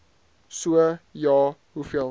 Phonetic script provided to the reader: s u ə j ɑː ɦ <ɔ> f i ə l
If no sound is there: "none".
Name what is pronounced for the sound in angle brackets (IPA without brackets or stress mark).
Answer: u